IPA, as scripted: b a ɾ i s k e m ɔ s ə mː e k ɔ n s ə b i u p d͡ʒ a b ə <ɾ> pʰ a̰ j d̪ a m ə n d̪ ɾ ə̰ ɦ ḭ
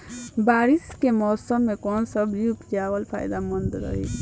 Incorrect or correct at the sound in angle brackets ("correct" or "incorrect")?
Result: incorrect